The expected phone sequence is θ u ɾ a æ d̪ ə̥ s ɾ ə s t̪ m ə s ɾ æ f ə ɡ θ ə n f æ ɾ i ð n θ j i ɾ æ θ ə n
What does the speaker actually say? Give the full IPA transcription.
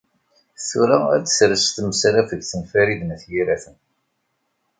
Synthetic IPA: θ u ɾ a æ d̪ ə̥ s ɾ ə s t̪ m ə s ɾ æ f ə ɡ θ ə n f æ ɾ i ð n θ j i ɾ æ θ ə n